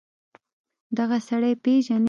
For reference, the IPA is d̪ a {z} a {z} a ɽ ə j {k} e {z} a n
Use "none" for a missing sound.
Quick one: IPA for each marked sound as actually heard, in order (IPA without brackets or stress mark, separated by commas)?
ɣ, s, p, ʒ